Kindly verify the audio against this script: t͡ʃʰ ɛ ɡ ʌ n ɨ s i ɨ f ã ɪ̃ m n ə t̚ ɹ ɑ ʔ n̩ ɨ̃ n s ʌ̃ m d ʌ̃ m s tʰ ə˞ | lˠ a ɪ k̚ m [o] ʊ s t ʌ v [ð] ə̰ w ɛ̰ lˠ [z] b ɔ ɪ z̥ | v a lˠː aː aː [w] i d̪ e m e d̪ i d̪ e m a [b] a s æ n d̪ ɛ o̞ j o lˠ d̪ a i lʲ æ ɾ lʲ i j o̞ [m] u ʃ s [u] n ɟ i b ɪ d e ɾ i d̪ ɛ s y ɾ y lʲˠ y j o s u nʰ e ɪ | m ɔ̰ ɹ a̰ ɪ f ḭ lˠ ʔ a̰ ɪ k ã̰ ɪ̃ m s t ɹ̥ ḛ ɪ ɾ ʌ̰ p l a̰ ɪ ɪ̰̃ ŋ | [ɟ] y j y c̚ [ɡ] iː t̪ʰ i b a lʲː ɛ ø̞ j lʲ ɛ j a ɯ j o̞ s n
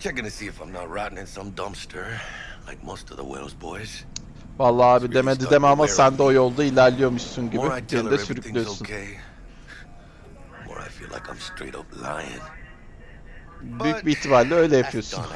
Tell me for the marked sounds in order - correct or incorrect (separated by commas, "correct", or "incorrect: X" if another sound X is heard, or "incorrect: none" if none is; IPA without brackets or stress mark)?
correct, correct, correct, incorrect: b, incorrect: m, correct, correct, incorrect: b, incorrect: b